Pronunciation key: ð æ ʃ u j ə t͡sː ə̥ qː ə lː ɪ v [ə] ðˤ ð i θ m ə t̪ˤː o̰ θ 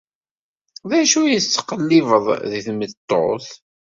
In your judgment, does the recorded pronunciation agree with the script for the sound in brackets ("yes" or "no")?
yes